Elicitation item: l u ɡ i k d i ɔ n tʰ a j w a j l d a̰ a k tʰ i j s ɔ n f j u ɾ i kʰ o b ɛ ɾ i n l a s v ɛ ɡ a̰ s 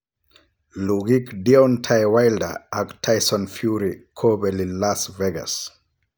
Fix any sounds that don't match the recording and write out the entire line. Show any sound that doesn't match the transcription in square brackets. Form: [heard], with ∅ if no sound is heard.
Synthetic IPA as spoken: l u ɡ i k d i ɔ n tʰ a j w a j l d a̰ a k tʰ [a] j s ɔ n f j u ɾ i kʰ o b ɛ [l] i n l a s v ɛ ɡ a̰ s